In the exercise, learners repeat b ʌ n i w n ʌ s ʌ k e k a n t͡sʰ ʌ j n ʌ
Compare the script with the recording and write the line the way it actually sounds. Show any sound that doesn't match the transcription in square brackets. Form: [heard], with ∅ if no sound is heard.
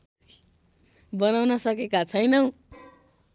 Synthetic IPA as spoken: b ʌ n [a] w n ʌ s ʌ k e k a [∅] t͡sʰ ʌ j n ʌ